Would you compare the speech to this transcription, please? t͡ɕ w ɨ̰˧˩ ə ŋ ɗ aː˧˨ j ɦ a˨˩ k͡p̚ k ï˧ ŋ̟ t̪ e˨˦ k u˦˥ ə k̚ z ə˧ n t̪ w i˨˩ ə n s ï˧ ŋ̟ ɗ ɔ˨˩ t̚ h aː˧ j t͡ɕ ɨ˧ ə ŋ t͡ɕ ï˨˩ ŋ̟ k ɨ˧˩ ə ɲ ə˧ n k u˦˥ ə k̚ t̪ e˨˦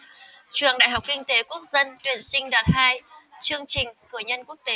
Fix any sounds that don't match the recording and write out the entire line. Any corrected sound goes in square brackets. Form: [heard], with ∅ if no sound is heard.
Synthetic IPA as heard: t͡ɕ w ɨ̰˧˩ ə ŋ ɗ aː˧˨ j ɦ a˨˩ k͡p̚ k ï˧ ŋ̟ t̪ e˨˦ k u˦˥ ə k̚ z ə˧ n t̪ w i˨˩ ə n s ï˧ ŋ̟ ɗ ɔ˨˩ t̚ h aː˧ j t͡ɕ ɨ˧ ə ŋ t͡ɕ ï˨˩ ŋ̟ k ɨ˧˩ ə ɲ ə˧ n k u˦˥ ə k̚ t̪ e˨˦